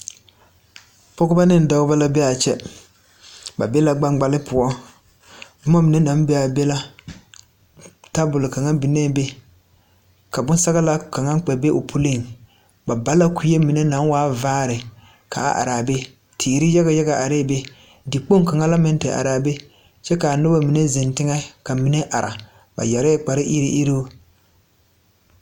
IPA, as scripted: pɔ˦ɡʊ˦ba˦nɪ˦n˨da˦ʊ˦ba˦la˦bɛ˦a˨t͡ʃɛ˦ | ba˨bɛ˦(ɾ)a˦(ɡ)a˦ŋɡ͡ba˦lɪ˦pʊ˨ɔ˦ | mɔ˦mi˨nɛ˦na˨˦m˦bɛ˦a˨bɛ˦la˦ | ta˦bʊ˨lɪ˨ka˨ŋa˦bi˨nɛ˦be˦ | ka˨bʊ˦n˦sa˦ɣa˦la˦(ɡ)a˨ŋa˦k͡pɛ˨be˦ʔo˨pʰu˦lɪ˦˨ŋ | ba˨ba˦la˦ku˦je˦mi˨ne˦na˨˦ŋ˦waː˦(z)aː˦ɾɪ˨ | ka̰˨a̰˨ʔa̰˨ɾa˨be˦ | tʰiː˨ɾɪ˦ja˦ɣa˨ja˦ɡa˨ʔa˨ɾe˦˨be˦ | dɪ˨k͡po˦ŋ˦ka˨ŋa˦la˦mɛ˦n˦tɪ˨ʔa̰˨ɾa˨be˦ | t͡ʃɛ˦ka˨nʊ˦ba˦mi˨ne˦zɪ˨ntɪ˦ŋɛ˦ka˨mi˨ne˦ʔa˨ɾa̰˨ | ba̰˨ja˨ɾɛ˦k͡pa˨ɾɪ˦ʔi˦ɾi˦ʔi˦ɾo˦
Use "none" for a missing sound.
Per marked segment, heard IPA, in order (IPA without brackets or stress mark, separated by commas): l, ɡ͡b, k, v